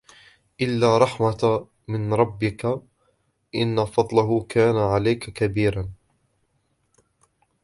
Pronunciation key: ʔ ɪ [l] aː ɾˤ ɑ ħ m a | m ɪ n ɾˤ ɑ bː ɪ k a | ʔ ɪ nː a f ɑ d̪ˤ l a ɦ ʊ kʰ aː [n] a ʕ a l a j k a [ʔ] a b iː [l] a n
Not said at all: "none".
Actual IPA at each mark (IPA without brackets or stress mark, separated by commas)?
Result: lː, n, k, ɾ